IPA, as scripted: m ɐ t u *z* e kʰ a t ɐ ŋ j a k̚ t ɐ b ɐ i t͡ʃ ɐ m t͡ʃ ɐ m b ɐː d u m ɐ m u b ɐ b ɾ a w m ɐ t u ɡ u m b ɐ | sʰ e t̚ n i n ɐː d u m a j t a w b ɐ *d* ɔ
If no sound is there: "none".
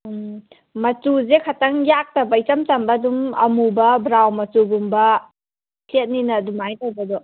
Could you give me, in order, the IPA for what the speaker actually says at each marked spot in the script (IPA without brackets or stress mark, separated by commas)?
z, d